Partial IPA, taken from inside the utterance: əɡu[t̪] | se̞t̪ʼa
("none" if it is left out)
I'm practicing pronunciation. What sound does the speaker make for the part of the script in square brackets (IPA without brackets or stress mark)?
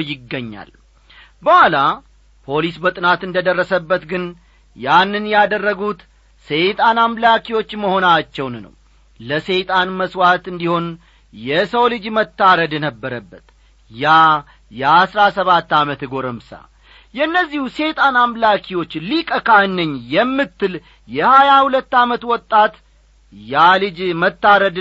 t̪